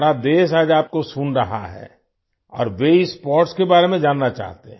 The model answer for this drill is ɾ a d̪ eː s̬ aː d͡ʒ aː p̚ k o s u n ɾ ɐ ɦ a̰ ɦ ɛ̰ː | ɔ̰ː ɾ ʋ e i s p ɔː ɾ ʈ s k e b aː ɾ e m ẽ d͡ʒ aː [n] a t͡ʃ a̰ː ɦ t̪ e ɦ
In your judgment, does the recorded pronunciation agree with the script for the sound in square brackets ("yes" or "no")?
no